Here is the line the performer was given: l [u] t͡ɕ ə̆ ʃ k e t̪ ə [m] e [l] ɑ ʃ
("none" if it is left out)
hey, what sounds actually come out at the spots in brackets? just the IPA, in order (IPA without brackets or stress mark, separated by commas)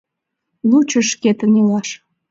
u, n, l